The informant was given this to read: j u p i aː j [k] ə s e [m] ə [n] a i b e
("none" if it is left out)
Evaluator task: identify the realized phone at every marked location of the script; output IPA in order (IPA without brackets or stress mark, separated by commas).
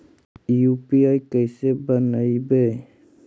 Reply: k, b, n